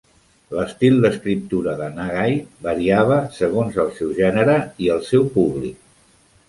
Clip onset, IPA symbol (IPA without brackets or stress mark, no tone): l